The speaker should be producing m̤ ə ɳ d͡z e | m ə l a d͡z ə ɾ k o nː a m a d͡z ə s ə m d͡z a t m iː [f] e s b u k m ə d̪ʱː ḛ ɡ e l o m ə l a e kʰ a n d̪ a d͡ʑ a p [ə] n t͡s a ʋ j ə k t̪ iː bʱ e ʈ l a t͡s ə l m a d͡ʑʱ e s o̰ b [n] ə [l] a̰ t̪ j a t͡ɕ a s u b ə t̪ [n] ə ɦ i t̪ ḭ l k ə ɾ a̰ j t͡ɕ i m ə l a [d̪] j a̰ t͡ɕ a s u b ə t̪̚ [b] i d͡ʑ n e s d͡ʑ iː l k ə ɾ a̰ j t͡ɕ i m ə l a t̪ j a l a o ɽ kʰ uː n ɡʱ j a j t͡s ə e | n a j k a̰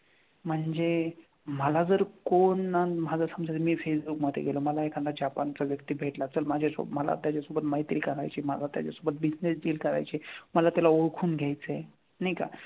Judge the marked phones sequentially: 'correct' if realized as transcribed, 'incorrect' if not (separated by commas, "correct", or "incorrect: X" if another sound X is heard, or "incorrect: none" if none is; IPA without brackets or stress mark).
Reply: correct, incorrect: a, incorrect: m, correct, incorrect: m, incorrect: t̪, correct